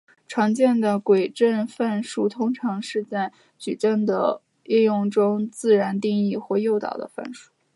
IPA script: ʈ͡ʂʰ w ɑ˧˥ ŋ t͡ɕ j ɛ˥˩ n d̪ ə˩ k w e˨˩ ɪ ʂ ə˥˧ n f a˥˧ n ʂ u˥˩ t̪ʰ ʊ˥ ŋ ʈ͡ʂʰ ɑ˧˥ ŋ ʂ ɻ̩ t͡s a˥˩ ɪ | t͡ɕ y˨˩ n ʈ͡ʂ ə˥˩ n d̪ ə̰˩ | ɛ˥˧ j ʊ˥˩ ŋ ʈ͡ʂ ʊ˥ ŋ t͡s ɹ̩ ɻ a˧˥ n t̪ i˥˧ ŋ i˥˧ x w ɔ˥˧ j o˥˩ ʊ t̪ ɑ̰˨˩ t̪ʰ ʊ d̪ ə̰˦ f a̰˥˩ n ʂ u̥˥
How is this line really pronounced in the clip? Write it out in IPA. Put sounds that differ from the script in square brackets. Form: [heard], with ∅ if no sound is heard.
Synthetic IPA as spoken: ʈ͡ʂʰ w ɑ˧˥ ŋ t͡ɕ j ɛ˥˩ n d̪ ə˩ k w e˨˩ ɪ [ʈ͡ʂ] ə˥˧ n f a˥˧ n ʂ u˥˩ t̪ʰ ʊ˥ ŋ ʈ͡ʂʰ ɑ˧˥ ŋ ʂ ɻ̩ t͡s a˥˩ ɪ | t͡ɕ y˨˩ [∅] ʈ͡ʂ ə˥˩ n d̪ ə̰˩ | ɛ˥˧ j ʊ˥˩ ŋ ʈ͡ʂ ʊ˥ ŋ t͡s ɹ̩ ɻ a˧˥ n t̪ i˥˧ ŋ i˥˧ x w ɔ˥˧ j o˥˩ ʊ t̪ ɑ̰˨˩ [∅] ʊ d̪ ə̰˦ f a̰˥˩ n ʂ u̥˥